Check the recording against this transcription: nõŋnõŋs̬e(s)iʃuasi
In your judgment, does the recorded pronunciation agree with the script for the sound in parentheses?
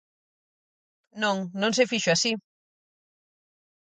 no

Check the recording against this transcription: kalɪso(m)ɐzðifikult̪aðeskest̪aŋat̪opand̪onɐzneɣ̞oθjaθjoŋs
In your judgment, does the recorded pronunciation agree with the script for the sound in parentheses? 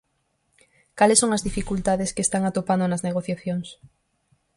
no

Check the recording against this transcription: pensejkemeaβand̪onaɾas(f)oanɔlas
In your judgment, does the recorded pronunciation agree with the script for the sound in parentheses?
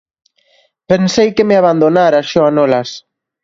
no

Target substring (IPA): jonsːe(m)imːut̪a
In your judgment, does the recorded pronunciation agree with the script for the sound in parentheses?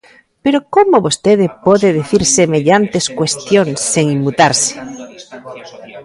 no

